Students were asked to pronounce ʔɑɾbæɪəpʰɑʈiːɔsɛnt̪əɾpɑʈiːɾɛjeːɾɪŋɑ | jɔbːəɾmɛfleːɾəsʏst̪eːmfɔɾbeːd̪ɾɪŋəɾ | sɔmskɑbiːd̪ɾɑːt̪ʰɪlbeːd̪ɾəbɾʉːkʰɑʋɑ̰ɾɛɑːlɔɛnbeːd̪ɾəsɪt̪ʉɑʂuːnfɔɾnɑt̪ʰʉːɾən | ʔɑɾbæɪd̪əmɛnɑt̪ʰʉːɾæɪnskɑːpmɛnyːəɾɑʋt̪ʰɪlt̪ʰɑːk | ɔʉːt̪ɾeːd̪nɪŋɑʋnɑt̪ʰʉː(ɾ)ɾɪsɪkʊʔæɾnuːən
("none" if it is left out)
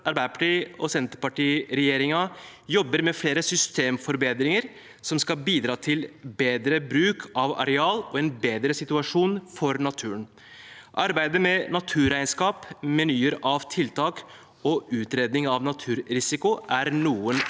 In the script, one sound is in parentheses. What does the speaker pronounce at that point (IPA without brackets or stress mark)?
ɾ